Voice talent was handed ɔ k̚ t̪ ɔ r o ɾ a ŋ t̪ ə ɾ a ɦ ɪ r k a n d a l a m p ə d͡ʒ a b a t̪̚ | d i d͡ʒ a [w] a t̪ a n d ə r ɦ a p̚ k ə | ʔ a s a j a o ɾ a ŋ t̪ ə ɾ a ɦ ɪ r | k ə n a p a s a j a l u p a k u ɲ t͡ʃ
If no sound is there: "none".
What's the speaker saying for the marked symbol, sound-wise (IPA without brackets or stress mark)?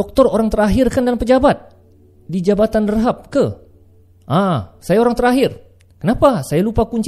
b